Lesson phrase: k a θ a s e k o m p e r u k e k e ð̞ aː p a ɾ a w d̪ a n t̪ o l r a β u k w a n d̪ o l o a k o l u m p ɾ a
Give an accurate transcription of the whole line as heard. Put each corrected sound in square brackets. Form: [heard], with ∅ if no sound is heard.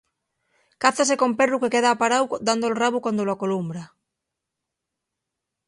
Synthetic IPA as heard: k a θ a s e k o m p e r u k e k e ð̞ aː p a ɾ a w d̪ a n [d̪] o l r a β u k w a n d̪ o l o a k o l u m [b] ɾ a

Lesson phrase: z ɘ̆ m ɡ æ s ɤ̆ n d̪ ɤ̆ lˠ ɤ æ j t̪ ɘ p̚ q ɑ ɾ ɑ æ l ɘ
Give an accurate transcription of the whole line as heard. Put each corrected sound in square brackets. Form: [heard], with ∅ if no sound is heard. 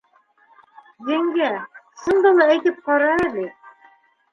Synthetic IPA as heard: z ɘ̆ [ŋ] ɡ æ s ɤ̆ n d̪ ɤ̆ lˠ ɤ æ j t̪ ɘ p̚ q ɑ ɾ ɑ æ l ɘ

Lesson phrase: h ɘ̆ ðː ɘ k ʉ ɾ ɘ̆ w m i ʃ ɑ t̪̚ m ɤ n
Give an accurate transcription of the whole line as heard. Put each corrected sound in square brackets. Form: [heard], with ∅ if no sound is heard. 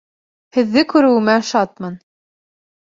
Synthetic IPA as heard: h ɘ̆ ðː ɘ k ʉ ɾ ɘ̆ w m [æ] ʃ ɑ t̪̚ m ɤ n

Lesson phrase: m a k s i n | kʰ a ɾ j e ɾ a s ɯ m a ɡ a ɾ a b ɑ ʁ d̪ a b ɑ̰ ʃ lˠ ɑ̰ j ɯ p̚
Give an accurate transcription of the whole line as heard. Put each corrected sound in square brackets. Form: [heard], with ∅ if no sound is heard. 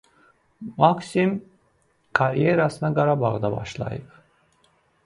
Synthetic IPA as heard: m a k s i [m] | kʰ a ɾ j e ɾ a s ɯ [n] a ɡ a ɾ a b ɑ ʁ d̪ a b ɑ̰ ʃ lˠ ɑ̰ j ɯ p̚

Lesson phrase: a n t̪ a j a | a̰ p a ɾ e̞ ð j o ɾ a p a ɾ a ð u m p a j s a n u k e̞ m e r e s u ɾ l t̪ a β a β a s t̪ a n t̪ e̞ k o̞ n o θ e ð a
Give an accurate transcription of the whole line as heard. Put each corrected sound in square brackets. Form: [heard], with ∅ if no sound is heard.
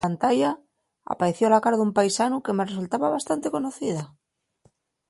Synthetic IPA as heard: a n t̪ a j a | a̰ p a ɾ e̞ [θ] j o [l] a [k] a ɾ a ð u m p a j s a n u k e̞ m e r e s u [∅] l t̪ a β a β a s t̪ a n t̪ e̞ k o̞ n o θ [i] ð a

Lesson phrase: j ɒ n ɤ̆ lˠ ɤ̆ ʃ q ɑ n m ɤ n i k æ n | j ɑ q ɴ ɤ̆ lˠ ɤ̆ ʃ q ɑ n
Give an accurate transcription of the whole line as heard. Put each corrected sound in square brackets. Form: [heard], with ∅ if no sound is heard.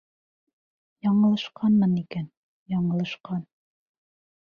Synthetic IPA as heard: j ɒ [ɴ] ɤ̆ lˠ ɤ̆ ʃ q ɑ n m ɤ n i k æ n | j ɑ [∅] ɴ ɤ̆ lˠ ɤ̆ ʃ q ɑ n

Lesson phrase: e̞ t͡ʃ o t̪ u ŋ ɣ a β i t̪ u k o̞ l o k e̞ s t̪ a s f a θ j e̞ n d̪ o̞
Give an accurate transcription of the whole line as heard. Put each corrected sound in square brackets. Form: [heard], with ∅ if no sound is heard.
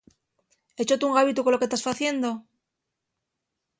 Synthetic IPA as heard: e̞ t͡ʃ o t̪ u ŋ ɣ a β i t̪ u k o̞ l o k e̞ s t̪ a s f a θ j e̞ n d̪ o̞

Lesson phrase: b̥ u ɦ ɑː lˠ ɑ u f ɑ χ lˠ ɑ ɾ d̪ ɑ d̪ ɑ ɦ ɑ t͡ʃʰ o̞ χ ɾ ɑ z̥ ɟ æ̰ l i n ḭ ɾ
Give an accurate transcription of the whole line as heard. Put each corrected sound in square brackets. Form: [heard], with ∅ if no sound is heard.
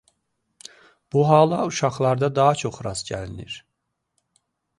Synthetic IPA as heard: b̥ u ɦ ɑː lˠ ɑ u [ʃ] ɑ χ lˠ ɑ ɾ d̪ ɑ d̪ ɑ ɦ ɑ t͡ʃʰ o̞ χ ɾ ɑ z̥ ɟ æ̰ l i n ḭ ɾ

